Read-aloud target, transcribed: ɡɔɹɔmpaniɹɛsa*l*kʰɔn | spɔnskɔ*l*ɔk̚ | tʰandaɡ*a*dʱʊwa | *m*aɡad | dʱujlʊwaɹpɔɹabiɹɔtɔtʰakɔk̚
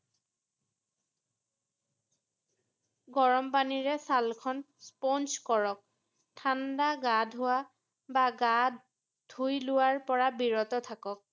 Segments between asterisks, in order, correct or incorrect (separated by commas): correct, incorrect, correct, incorrect